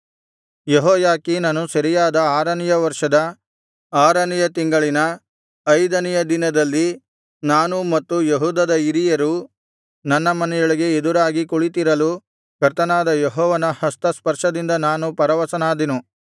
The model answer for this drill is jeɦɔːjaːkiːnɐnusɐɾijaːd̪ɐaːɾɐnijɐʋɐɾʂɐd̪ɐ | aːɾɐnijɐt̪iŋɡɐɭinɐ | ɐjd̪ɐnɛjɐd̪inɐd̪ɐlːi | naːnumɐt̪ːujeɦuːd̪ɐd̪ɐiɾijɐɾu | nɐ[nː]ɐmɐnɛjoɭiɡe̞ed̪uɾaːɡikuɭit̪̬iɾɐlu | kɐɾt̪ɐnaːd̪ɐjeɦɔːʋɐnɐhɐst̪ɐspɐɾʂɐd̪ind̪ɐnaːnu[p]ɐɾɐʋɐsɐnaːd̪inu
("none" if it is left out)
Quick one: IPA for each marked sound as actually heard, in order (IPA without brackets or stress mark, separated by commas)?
nː, p